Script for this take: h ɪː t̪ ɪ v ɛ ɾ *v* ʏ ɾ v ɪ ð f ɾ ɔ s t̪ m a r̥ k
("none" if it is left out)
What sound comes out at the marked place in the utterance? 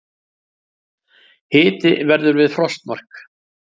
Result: ð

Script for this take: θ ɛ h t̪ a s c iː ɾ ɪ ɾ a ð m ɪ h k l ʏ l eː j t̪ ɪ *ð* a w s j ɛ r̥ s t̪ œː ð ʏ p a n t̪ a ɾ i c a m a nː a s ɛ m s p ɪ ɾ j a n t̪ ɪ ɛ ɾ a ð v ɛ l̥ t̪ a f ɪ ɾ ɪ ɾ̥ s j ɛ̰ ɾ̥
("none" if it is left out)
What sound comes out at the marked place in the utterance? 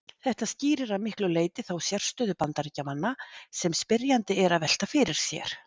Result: θ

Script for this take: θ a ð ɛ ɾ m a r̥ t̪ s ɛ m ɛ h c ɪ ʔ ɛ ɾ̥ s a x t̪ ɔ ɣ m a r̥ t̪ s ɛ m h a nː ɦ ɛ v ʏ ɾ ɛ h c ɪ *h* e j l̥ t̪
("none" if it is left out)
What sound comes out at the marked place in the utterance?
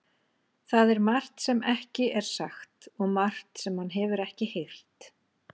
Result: h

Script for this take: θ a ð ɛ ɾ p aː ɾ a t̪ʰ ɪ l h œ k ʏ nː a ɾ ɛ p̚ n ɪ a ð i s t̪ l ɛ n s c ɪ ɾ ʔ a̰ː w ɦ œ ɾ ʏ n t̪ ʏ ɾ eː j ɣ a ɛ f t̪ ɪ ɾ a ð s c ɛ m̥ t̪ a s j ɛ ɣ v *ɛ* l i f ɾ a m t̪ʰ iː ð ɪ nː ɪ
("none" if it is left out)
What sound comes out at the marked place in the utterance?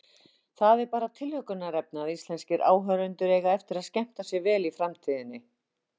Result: ɛː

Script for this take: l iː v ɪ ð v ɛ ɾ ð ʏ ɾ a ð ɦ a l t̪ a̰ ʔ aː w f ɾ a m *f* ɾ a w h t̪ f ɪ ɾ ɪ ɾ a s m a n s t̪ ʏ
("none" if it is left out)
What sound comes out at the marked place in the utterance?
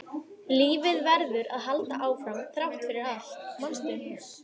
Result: θ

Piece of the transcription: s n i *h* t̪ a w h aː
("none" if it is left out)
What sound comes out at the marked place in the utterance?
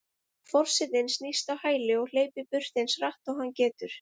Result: s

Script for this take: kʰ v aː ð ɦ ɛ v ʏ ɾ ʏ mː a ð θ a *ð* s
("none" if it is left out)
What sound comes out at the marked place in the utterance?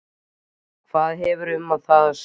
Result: ð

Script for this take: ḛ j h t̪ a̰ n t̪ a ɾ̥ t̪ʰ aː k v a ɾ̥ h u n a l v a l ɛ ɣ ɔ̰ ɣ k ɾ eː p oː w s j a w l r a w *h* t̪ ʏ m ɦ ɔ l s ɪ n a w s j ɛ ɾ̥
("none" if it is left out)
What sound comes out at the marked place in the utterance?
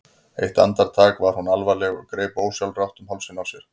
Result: h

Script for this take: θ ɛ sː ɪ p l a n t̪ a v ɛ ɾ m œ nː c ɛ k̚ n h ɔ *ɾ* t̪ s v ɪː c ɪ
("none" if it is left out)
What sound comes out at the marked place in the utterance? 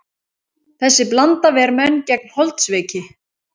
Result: l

